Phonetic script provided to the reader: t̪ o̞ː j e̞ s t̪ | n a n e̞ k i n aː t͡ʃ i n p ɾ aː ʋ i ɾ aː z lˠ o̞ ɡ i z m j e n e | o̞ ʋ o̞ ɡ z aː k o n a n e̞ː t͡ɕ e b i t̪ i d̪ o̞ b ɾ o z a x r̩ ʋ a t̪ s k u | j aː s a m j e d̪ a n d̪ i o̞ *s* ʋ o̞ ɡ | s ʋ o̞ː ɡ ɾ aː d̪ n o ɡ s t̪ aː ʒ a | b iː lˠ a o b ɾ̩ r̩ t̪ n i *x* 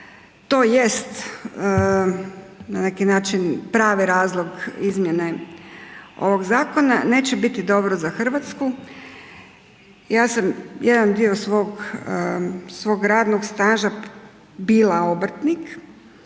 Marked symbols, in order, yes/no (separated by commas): yes, no